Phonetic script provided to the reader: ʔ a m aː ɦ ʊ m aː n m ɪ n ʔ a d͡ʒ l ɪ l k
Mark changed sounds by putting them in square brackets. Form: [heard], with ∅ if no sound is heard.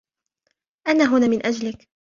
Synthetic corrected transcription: ʔ a [n] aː ɦ ʊ [n] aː [∅] m ɪ n ʔ a d͡ʒ l ɪ [∅] k

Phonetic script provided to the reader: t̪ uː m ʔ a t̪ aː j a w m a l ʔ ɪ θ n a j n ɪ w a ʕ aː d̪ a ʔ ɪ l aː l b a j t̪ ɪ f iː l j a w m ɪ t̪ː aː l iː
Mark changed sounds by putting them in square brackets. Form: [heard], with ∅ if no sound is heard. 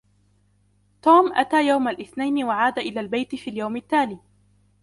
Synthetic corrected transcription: t̪ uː m ʔ a t̪ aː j a w m a l ʔ ɪ θ n a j n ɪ w a ʕ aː d̪ a ʔ ɪ l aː l b a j t̪ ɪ f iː l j a w m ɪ t̪ː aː l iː

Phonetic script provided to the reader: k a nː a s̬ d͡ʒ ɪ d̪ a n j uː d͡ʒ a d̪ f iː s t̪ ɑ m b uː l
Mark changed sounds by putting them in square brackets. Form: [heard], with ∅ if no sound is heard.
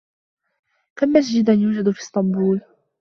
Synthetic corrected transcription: k a [mː] a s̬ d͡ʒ ɪ d̪ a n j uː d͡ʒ a d̪ f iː s t̪ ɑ m b uː l

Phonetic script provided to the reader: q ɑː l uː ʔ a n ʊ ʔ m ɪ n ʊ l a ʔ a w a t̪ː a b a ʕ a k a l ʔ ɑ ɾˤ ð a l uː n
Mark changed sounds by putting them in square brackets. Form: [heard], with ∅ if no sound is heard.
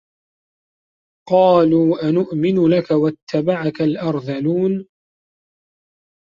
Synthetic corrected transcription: q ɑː l uː ʔ a n ʊ ʔ m ɪ n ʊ l a [k] a w a t̪ː a b a ʕ a k a l ʔ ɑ ɾˤ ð a l uː n

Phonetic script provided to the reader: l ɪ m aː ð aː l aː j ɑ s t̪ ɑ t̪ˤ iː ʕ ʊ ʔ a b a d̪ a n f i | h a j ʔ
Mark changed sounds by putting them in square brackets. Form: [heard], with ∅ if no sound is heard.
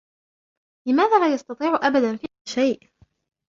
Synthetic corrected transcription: l ɪ m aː ð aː l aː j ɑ s t̪ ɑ t̪ˤ iː ʕ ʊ ʔ a b a d̪ a n f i | [ʃ] a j ʔ

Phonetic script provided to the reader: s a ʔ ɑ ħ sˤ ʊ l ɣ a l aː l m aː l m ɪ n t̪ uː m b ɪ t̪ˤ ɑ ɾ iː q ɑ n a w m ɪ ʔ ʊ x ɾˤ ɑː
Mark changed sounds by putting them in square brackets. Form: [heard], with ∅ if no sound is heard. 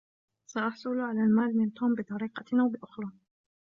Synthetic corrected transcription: s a ʔ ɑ ħ sˤ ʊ l [ʕ] a l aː l m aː l m ɪ n t̪ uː m b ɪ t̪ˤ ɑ ɾ iː q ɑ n a w [b] ɪ ʔ ʊ x ɾˤ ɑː

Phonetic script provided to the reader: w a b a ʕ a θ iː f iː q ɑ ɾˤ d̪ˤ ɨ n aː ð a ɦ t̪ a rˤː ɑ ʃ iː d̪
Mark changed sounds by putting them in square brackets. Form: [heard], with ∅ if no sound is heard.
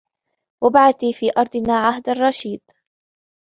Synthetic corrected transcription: w a b a ʕ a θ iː f iː [ʔ] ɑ ɾˤ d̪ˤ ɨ n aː [ʕ] a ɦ [d̪] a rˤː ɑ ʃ iː d̪

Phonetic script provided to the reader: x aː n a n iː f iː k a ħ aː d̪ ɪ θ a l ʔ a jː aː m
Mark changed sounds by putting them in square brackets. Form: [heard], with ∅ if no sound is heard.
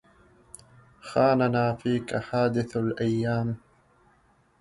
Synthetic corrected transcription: x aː n a n [aː] f iː k a ħ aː d̪ ɪ θ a l ʔ a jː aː m

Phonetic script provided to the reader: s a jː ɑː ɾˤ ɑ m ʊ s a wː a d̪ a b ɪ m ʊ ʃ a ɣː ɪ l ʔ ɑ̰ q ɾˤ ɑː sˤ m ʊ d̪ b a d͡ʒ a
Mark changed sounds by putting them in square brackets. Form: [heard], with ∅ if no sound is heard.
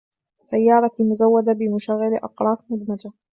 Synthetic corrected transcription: s a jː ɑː ɾˤ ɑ m ʊ [z] a wː a d̪ a b ɪ m ʊ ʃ a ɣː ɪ l ʔ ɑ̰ q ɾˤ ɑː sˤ m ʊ d̪ [m] a d͡ʒ a

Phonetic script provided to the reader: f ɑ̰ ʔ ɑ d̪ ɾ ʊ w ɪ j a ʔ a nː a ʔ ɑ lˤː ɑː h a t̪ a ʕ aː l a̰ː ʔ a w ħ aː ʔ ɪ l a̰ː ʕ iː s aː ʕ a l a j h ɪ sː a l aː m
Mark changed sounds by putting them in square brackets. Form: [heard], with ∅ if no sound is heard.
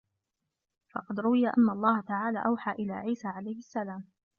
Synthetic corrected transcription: f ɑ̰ [q] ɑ d̪ ɾ ʊ w ɪ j a ʔ a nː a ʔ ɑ lˤː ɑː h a t̪ a ʕ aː l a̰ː ʔ a w ħ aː ʔ ɪ l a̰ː ʕ iː s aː ʕ a l a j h ɪ sː a l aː m

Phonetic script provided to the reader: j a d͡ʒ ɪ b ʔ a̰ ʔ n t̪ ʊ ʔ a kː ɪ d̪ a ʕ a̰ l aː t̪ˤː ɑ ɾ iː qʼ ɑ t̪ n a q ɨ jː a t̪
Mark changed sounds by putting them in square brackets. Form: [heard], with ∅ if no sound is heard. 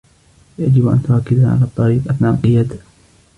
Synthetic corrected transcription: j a d͡ʒ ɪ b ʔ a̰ [∅] n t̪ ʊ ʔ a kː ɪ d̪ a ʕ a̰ l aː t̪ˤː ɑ ɾ iː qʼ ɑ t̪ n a q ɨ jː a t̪

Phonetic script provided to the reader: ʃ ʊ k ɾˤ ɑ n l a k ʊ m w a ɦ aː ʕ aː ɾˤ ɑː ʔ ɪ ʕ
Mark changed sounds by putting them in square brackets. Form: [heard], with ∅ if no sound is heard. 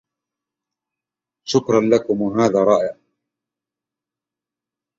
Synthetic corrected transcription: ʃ ʊ k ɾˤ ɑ n l a k ʊ m w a ɦ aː [ð] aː ɾˤ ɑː ʔ ɪ ʕ

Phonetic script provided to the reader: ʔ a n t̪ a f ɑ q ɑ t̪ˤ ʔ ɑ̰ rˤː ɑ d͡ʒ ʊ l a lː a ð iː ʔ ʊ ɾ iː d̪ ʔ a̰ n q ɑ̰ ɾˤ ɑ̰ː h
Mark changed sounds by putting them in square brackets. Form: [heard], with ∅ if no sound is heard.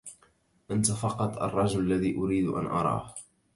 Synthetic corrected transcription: ʔ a n t̪ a f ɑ q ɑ t̪ˤ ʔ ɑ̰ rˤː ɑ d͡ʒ ʊ l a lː a ð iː ʔ ʊ ɾ iː d̪ ʔ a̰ n [ʔ] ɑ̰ ɾˤ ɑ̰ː h

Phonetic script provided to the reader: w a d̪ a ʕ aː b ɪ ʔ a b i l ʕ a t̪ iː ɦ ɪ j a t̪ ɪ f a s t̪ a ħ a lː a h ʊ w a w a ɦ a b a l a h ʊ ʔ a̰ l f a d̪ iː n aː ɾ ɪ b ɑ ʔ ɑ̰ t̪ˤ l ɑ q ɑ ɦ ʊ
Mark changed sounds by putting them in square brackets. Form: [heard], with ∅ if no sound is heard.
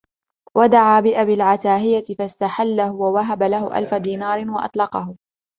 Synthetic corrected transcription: w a d̪ a ʕ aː b ɪ ʔ a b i l ʕ a t̪ [aː] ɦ ɪ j a t̪ ɪ f a s t̪ a ħ a lː a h ʊ w a w a ɦ a b a l a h ʊ ʔ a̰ l f a d̪ iː n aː ɾ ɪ [w] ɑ ʔ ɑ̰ t̪ˤ l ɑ q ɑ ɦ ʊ

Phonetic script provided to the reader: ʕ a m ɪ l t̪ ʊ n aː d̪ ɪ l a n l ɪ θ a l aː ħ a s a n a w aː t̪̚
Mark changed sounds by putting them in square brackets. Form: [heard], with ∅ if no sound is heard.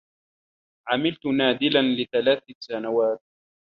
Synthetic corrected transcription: ʕ a m ɪ l t̪ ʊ n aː d̪ ɪ l a n l ɪ θ a l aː [θ] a s a n a w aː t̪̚

